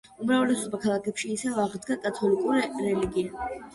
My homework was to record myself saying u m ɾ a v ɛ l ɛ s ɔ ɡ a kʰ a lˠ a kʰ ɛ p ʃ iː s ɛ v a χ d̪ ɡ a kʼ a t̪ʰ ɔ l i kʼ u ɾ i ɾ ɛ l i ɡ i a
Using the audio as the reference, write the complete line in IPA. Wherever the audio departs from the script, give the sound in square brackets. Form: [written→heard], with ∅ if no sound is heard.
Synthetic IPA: u m ɾ a v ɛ l ɛ s ɔ [ɡ→b] a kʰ a lˠ a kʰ ɛ p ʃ iː s ɛ v a [χ→ʁ] d̪ ɡ a kʼ a t̪ʰ ɔ l i kʼ u ɾ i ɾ ɛ l i ɡ i a